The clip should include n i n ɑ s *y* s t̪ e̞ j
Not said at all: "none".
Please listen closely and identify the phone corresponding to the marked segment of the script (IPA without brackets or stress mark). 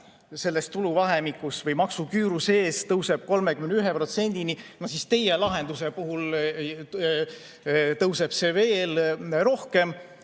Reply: i